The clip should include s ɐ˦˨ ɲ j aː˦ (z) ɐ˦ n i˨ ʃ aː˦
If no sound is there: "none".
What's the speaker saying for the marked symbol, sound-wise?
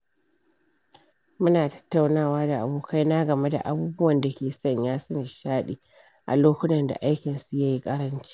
s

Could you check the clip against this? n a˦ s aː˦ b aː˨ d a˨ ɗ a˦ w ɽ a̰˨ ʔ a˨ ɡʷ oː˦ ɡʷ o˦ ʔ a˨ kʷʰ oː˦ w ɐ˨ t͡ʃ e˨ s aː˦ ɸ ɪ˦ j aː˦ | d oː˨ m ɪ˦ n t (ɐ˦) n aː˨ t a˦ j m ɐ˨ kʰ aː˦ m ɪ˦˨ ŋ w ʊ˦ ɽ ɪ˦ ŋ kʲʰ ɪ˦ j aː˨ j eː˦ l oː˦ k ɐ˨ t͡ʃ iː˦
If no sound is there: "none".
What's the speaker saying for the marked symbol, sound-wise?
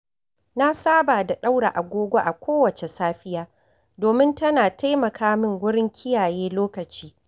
ɐ˦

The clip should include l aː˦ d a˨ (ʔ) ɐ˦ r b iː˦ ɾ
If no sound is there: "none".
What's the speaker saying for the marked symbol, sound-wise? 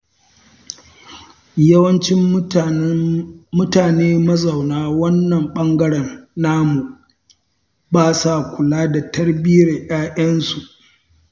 t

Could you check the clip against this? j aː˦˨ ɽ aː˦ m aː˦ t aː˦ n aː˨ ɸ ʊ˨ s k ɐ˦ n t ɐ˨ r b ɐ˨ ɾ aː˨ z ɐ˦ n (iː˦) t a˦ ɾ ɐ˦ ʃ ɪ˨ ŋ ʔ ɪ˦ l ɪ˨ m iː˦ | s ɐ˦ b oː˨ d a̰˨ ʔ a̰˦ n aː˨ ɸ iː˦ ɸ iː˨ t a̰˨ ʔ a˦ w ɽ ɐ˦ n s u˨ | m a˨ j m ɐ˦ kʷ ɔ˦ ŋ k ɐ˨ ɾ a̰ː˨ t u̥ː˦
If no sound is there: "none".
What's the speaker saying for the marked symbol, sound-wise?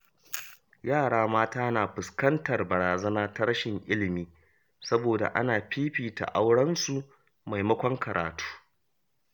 aː˦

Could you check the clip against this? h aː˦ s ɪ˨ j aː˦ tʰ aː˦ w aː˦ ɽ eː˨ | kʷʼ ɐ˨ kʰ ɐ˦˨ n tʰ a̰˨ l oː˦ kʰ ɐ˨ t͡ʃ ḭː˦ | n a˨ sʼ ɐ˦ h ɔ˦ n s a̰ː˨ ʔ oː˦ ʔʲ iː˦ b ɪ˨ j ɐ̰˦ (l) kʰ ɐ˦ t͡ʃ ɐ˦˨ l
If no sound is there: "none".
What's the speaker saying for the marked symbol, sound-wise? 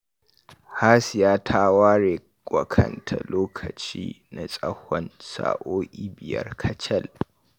r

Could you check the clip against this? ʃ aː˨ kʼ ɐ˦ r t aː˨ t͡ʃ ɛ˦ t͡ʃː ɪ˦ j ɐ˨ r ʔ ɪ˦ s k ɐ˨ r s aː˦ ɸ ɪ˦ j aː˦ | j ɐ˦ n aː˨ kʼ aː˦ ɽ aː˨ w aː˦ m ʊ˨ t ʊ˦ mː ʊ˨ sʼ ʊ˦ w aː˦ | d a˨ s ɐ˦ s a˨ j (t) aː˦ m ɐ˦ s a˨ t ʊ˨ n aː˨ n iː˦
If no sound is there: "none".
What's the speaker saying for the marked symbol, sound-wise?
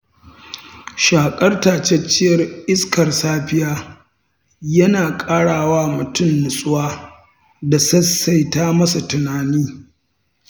t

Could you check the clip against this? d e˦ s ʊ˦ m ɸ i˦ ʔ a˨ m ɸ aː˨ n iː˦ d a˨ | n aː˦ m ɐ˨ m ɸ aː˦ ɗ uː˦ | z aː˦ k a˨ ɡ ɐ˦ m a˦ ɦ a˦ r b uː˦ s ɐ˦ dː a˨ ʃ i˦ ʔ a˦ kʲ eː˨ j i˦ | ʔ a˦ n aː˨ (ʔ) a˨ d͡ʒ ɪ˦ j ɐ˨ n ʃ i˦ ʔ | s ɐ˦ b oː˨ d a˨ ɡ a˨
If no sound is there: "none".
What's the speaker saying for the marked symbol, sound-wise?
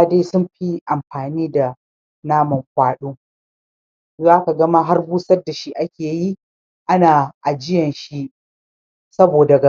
ʔ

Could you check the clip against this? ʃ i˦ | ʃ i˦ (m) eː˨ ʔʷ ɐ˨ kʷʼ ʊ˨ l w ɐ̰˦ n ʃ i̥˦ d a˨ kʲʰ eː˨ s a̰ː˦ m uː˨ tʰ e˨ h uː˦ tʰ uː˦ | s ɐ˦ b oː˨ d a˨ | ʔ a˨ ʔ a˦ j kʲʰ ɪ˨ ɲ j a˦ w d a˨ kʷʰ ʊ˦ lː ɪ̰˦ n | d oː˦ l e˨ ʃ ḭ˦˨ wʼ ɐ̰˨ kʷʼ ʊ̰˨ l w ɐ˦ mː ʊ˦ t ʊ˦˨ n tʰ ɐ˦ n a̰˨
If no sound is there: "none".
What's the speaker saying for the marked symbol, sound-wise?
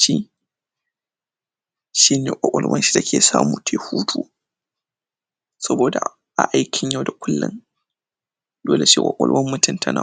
n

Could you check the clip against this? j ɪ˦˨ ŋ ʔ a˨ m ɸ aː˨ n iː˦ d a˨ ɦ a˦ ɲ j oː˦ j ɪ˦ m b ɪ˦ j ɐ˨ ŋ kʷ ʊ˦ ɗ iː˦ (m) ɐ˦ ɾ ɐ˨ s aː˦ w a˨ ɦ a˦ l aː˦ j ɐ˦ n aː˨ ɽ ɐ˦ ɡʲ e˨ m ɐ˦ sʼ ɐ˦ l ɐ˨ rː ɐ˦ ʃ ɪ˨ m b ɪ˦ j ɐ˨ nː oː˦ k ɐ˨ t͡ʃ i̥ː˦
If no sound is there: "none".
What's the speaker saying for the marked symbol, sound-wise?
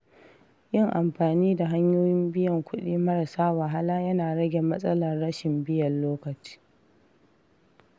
m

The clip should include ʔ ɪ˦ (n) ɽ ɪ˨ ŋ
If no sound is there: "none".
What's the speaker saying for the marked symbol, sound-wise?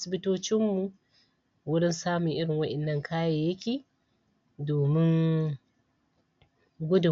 none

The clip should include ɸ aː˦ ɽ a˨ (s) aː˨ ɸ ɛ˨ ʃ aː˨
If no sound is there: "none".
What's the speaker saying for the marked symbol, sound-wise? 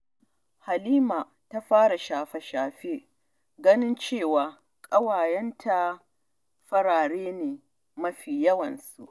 ʃ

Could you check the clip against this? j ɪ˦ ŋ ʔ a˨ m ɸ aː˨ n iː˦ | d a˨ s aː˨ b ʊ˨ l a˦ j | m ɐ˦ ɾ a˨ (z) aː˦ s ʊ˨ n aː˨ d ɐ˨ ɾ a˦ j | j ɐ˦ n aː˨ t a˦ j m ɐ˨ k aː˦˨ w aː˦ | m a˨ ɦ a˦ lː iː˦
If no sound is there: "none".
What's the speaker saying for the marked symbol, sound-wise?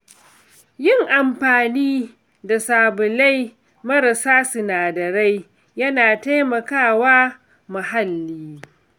s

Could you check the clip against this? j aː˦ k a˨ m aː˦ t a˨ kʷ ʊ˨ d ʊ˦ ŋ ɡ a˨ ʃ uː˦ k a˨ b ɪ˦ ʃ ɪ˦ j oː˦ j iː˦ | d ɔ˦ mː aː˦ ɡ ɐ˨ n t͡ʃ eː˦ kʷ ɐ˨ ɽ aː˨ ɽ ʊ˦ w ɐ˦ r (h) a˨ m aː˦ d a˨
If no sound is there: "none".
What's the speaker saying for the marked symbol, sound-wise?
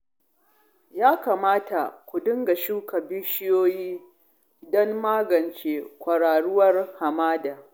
h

